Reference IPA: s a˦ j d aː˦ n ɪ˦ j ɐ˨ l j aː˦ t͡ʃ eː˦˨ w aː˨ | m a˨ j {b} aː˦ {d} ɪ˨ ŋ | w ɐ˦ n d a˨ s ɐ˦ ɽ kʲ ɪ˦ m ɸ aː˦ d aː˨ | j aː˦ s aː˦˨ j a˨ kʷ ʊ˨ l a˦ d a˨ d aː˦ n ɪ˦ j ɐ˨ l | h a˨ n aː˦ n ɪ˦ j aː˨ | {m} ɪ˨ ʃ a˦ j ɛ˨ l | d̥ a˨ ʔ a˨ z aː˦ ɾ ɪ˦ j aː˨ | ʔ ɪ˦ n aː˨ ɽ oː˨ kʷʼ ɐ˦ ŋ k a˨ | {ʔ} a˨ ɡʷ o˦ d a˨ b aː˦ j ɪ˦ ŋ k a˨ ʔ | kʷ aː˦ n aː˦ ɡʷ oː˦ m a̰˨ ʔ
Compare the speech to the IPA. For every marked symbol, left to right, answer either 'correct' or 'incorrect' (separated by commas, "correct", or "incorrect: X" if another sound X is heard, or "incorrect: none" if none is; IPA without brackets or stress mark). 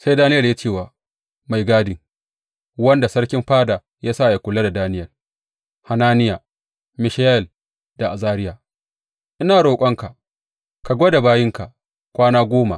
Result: incorrect: ɡ, correct, correct, incorrect: k